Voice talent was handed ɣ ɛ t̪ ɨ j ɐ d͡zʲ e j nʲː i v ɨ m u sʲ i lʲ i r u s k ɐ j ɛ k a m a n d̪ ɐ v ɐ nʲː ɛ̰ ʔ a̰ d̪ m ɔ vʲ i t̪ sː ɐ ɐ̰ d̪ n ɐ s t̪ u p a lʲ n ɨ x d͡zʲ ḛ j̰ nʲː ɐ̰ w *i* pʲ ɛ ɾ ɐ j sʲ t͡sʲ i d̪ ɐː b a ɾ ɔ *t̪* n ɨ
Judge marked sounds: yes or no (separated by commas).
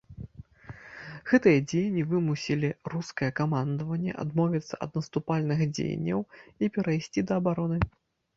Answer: yes, no